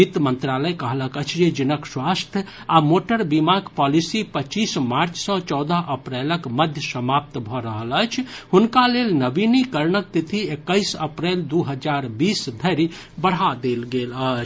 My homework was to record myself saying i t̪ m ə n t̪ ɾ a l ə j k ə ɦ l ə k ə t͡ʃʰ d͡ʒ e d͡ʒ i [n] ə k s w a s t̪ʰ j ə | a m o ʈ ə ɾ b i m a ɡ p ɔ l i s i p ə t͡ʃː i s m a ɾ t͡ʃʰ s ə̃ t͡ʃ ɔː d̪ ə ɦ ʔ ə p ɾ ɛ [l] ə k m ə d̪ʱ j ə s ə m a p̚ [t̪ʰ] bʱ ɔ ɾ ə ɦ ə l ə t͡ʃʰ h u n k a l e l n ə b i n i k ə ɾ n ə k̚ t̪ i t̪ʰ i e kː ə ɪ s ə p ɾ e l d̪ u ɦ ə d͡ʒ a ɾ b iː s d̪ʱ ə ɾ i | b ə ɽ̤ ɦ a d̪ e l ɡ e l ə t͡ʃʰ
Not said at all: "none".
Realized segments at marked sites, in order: n, l, t̪

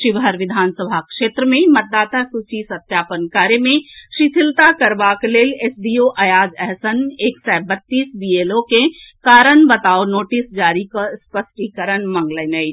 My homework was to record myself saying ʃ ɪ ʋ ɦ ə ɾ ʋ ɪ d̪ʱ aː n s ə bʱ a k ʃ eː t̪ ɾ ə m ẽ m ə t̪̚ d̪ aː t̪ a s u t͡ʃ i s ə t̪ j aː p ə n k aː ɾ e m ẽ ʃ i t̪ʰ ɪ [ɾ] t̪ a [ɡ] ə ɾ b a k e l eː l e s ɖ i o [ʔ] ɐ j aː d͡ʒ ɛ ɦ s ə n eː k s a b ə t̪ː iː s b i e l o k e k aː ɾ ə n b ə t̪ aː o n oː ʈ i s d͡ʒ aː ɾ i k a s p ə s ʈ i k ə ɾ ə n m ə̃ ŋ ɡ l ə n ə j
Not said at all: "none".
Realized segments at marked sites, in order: l, k, ʔ

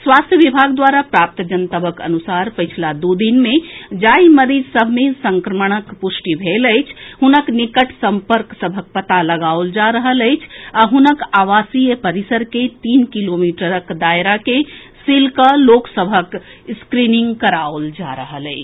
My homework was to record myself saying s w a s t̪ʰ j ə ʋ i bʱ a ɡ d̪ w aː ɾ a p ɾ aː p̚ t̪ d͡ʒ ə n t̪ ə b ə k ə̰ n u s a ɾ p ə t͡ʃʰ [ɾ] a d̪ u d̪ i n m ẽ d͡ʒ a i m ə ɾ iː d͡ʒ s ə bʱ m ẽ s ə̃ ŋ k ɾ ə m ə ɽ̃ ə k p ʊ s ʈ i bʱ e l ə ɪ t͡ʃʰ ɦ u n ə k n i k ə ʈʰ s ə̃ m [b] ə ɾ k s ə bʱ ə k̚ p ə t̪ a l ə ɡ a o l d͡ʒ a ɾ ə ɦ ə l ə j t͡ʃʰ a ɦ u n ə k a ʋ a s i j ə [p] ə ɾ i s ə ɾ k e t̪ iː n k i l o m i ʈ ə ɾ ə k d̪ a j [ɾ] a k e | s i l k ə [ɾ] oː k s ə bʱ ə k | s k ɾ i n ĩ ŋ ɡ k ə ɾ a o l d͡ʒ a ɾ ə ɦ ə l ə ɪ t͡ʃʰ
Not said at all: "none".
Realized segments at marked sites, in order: l, p, p, ɾ, l

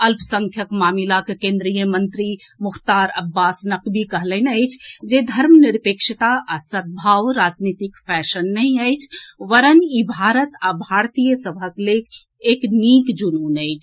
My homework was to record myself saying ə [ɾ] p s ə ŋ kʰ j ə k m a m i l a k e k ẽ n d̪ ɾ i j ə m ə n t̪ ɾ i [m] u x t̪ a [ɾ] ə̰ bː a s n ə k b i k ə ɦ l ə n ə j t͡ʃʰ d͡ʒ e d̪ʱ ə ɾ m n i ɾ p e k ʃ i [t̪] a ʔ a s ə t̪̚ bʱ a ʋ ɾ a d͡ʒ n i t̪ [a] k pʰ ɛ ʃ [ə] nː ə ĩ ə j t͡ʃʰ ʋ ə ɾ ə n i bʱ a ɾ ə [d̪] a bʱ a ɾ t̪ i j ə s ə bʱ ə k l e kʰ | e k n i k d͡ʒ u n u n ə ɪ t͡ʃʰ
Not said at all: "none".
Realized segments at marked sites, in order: l, m, ɾ, t̪, i, ə, t̪

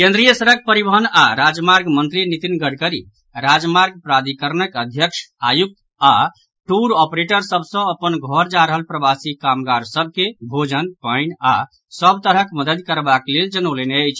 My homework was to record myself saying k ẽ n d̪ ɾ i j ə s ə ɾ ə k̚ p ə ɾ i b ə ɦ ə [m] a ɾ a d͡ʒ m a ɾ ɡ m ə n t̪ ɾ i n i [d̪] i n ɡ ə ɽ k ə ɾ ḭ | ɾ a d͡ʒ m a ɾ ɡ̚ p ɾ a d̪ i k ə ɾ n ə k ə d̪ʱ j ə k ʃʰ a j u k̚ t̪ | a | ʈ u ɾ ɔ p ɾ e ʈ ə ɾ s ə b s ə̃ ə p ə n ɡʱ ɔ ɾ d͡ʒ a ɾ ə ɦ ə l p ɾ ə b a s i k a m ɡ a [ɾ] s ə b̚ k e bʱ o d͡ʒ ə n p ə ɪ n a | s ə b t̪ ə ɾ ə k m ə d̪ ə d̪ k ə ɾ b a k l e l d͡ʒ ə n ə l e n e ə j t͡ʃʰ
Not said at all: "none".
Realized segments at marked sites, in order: n, t̪, ɾ

